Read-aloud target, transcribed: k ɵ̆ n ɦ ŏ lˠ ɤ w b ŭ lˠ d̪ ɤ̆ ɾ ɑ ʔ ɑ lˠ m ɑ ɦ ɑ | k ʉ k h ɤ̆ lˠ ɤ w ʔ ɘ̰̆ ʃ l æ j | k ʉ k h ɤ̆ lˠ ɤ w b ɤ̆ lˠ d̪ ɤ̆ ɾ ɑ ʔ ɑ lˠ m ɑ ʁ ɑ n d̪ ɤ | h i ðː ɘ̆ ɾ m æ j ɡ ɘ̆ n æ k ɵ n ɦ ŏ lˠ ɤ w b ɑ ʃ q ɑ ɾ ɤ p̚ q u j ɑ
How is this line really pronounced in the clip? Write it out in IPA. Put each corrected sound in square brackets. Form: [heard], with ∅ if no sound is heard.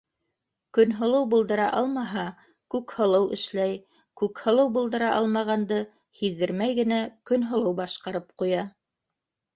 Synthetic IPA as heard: k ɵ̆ n ɦ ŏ lˠ ɤ w b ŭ lˠ d̪ ɤ̆ ɾ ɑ ʔ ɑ lˠ m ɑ ɦ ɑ | k ʉ k h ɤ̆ lˠ ɤ w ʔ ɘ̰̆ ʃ l æ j | k ʉ k h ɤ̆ lˠ ɤ w b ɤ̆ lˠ d̪ ɤ̆ ɾ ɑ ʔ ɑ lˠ m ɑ ʁ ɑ n d̪ ɤ | h i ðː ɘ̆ ɾ m æ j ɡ ɘ̆ n æ k ɵ n ɦ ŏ lˠ ɤ w b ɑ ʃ q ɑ ɾ ɤ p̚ q u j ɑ